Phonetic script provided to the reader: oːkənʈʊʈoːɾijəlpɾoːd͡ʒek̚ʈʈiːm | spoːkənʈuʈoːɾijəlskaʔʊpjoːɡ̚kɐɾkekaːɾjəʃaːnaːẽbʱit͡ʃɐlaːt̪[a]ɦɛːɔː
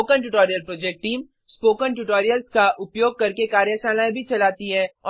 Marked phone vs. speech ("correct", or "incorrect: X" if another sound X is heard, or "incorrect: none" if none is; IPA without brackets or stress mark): incorrect: i